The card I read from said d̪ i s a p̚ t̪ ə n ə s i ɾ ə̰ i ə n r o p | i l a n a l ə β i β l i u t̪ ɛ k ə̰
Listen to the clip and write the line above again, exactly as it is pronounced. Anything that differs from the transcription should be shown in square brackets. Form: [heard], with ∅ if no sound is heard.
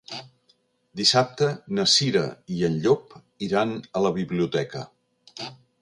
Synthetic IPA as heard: d̪ i s a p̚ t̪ ə n ə s i ɾ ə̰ i ə n [ʎ] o p | i [ɾ] a n [ə] l ə β i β l i u t̪ ɛ k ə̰